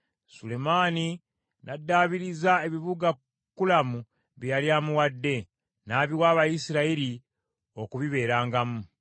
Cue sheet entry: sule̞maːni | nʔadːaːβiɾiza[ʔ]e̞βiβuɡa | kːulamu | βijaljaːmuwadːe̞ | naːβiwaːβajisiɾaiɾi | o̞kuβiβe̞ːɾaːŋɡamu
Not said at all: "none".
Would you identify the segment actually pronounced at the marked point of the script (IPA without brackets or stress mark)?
none